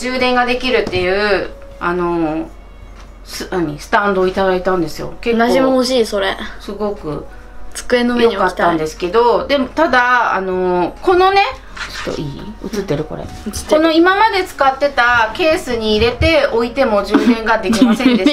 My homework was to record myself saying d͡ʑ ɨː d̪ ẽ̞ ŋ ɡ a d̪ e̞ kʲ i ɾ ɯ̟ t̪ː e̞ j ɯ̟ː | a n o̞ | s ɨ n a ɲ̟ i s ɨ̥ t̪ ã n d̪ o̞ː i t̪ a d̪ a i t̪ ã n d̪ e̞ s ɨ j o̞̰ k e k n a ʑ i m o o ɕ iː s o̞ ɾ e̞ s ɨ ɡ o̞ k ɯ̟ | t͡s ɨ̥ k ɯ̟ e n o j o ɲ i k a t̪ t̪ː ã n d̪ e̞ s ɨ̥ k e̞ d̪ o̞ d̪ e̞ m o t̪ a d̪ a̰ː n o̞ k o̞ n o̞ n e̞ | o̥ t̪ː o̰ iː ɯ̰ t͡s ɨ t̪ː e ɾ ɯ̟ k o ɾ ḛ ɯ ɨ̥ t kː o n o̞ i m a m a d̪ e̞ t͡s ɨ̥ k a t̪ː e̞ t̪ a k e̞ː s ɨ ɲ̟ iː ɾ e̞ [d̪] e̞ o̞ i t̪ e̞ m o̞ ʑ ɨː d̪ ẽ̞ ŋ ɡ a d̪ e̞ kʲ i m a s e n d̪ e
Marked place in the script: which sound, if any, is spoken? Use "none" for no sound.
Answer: t̪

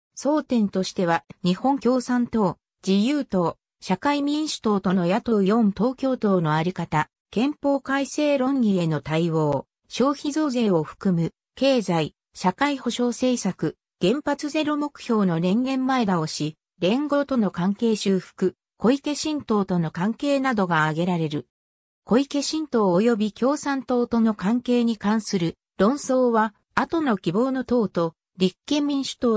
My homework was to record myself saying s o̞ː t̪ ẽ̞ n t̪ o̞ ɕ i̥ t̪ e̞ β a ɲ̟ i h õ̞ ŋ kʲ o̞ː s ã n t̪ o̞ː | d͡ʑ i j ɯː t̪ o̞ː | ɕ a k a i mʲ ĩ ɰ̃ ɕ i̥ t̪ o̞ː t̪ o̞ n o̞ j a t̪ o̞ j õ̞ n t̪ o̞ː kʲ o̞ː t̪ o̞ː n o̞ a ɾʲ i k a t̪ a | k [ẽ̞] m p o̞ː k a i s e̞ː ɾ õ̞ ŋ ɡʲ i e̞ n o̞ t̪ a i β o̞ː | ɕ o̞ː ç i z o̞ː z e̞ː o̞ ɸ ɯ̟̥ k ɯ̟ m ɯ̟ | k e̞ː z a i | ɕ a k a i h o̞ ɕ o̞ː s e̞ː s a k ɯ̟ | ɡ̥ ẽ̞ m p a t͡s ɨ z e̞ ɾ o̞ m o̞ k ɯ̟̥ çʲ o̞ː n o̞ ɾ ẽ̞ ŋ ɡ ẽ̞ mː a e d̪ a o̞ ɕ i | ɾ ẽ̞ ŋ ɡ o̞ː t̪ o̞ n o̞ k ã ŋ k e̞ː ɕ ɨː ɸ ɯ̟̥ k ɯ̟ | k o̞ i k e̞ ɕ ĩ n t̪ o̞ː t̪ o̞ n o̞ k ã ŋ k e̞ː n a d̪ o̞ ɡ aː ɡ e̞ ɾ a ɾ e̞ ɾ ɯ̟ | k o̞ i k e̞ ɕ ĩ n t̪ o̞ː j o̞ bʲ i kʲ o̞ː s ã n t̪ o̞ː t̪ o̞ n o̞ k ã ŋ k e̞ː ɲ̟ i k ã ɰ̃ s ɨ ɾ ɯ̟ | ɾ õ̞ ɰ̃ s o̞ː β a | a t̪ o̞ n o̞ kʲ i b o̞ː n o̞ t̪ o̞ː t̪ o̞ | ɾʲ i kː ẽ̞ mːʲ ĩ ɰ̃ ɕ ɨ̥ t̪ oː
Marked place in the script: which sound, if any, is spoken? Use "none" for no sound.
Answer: ẽ̞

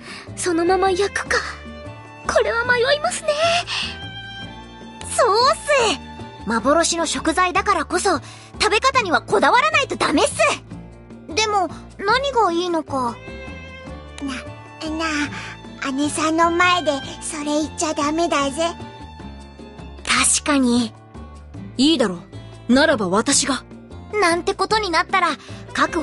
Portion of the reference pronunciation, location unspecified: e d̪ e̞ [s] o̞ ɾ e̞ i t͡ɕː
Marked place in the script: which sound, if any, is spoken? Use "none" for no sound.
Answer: s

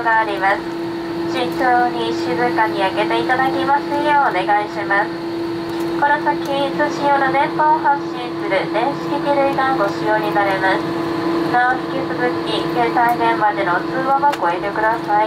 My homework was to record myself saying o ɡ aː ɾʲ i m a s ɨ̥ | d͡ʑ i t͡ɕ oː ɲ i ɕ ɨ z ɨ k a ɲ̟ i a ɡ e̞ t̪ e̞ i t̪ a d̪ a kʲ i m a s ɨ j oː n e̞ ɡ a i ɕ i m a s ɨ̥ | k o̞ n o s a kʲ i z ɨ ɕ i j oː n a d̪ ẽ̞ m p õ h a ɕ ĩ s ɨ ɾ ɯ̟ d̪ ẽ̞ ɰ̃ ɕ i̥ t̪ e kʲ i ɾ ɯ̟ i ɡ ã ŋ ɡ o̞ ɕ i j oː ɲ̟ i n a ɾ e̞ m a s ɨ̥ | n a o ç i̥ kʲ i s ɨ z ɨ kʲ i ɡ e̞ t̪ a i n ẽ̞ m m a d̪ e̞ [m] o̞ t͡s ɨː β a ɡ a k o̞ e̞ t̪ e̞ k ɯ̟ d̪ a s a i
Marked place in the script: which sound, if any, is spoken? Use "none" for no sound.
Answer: n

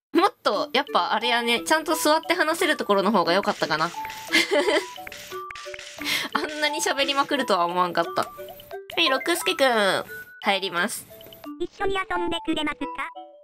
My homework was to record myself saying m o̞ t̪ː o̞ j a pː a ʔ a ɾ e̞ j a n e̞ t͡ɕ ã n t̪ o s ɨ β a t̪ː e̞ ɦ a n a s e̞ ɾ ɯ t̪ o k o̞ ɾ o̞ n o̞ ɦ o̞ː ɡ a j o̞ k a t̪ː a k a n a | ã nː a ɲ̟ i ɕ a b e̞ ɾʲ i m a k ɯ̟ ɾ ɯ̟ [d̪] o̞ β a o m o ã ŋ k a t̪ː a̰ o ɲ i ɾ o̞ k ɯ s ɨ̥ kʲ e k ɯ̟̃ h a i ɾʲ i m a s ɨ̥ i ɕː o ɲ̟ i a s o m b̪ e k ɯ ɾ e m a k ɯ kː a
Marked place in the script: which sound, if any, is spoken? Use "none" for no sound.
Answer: t̪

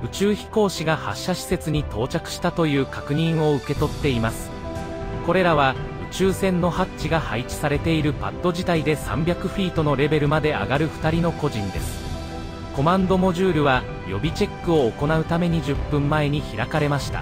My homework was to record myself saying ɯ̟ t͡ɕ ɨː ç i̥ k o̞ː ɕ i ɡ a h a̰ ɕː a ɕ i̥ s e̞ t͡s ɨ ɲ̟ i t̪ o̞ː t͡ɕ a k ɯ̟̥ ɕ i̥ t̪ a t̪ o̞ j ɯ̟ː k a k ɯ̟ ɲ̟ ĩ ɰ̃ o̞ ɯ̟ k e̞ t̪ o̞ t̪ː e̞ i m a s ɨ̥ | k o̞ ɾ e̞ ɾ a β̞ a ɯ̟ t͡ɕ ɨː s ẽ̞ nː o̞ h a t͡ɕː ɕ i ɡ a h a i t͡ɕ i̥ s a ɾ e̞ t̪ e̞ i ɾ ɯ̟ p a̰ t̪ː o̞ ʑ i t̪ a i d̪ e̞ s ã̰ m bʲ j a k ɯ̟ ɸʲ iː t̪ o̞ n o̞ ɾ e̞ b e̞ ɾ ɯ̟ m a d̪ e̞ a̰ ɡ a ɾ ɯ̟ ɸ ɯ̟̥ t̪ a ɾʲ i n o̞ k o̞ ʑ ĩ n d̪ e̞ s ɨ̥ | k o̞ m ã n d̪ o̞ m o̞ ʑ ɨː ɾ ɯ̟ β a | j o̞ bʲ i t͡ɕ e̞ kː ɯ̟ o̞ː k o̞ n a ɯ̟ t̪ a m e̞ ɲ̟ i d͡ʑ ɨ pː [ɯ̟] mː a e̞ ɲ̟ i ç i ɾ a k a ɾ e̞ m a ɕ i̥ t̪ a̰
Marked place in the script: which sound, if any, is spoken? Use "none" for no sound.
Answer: ɯ̟̃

